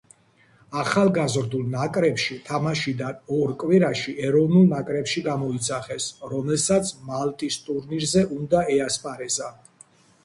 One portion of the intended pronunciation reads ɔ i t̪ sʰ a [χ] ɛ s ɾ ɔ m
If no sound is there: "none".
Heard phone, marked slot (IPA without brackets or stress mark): χ